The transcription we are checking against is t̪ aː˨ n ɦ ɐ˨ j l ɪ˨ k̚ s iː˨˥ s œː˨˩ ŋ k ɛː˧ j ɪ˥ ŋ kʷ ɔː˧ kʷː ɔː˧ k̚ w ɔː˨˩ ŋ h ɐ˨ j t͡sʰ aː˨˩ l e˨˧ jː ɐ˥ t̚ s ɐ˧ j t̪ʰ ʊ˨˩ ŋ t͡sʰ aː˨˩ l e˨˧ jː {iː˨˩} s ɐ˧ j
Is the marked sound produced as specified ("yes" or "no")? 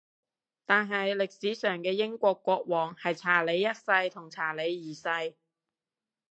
yes